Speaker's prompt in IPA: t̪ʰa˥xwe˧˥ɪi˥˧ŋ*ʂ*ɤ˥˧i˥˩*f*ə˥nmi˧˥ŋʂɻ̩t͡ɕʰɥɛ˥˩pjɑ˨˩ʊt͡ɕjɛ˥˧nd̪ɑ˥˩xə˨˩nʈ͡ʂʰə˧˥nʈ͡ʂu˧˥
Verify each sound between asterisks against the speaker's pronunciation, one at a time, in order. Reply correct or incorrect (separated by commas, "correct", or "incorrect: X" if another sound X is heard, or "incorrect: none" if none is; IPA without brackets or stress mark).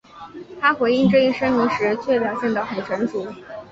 incorrect: ʈ͡ʂ, incorrect: ʂ